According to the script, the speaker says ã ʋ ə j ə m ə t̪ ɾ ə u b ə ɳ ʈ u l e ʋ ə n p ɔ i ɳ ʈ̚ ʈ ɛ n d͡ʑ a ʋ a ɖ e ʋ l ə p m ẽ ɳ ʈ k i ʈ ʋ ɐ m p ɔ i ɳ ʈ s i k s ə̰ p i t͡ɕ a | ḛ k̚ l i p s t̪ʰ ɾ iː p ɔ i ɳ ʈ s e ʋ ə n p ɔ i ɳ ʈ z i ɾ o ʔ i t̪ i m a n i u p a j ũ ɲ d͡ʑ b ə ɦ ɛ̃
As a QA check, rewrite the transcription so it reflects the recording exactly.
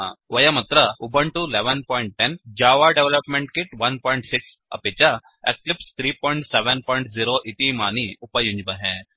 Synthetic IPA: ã ʋ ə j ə m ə t̪ ɾ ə u b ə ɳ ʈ u l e ʋ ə n p ɔ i ɳ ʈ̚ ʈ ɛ n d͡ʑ a ʋ a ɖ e ʋ l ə p m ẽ ɳ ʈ k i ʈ ʋ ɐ n p ɔ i ɳ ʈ s i k s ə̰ p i t͡ɕ a | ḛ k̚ l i p s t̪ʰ ɾ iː p ɔ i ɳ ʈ s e ʋ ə n p ɔ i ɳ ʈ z i ɾ o ʔ i t̪ i m a n i u p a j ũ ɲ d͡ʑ b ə ɦ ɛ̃